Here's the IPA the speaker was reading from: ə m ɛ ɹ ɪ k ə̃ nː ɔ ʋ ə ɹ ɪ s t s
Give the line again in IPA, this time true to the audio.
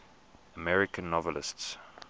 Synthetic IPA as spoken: ə m ɛ ɹ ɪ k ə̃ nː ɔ v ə l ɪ s t s